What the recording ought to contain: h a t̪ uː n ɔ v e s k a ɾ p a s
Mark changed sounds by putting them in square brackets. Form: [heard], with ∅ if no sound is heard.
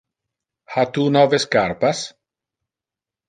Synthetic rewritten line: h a t̪ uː n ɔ v e s k a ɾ p a s

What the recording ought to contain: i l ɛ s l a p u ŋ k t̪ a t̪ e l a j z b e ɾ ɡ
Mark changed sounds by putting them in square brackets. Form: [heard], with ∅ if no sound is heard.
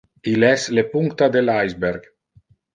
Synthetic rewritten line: i l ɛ s l [e] p u ŋ k t̪ a [d̪] e l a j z b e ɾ ɡ

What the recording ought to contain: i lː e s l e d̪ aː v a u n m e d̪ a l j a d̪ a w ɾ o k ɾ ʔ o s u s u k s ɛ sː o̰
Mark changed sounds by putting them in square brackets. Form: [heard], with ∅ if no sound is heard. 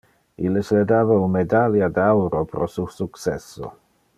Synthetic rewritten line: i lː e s l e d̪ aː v a u n m e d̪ a l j a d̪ a w ɾ o [p] ɾ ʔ o s u s u k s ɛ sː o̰

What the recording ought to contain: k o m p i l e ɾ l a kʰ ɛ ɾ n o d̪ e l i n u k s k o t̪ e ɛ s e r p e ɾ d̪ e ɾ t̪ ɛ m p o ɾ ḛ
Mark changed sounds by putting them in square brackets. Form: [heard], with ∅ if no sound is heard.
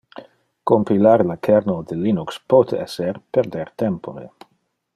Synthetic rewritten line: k o m p i l [a] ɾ l a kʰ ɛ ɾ n o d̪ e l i n u k s [p] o t̪ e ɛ s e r p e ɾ d̪ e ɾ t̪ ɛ m p o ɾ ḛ

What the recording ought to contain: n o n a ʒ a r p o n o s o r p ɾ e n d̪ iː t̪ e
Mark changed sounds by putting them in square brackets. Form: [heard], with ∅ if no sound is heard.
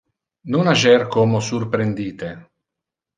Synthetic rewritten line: n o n a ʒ [ɛ] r [k] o [m] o s [u] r p ɾ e n d̪ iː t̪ e

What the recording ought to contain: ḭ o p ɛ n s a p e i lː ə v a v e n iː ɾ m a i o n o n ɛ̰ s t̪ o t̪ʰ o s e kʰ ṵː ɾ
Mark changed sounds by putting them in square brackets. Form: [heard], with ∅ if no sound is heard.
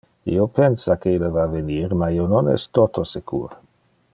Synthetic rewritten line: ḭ o p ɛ n s a [k] e i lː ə v a v e n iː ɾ m a i o n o n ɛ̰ s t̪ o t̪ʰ o s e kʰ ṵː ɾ

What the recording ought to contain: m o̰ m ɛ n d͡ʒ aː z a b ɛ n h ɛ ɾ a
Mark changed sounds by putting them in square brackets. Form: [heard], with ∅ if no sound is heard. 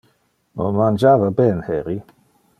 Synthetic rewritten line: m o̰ m [a] n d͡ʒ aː [v] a b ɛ n h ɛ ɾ [i]

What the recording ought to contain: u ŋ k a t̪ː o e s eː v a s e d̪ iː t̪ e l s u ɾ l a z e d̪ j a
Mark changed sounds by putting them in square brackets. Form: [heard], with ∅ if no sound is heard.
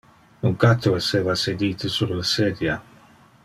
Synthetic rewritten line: u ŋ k a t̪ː o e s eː v a s e d̪ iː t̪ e [∅] s u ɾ l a [s] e d̪ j a

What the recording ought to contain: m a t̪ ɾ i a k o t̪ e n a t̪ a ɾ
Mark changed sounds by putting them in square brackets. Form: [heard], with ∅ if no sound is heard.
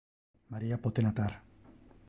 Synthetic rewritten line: m a [∅] ɾ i a [p] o t̪ e n a t̪ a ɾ

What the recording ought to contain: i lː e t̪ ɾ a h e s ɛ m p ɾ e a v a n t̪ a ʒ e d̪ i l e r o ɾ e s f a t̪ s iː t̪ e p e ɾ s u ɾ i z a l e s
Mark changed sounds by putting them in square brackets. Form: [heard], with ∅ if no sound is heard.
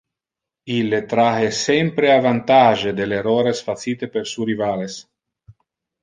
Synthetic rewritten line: i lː e t̪ ɾ a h e s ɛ m p ɾ e a v a n t̪ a ʒ e d̪ [e] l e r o ɾ e s f a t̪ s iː t̪ e p e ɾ s u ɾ i [v] a l e s

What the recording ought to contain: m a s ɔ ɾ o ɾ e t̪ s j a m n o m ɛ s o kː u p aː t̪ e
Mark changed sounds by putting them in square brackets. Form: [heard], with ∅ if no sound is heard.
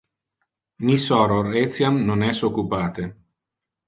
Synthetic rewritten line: m [i] s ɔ ɾ o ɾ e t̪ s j a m n o [n] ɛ s o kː u p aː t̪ e

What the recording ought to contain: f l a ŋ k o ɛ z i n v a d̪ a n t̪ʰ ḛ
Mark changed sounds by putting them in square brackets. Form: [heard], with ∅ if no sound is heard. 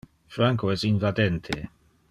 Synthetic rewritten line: f [ɾ] a ŋ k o ɛ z i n v a d̪ [ɛ] n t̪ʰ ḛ

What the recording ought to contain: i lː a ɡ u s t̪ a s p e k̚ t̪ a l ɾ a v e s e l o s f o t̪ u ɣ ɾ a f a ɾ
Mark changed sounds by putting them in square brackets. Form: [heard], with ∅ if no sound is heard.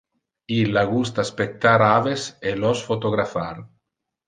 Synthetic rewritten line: i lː a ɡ u s t̪ a s p e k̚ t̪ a [∅] ɾ a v e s e l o s f o t̪ [o] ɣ ɾ a f a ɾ

